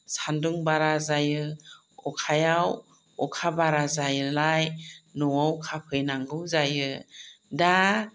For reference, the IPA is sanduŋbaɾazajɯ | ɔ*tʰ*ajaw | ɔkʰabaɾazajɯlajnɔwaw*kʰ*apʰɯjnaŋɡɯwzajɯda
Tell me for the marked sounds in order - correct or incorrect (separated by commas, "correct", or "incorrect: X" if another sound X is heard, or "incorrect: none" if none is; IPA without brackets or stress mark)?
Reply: incorrect: kʰ, correct